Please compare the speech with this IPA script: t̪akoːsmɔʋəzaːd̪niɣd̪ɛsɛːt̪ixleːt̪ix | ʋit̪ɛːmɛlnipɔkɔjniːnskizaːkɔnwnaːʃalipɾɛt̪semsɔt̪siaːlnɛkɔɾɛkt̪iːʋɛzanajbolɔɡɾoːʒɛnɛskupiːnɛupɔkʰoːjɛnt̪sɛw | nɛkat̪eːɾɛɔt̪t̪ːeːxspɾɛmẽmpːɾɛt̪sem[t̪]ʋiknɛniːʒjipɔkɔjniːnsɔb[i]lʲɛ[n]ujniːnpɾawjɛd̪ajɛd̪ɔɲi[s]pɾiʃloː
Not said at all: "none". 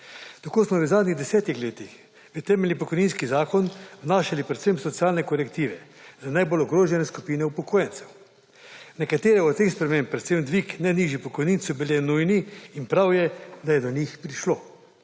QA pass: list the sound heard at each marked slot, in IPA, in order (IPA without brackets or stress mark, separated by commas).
d̪, i, n, x